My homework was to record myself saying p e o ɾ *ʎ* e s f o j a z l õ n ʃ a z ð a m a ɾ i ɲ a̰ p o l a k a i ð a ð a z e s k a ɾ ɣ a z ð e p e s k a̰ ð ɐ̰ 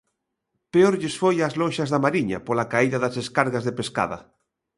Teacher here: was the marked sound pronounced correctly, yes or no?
yes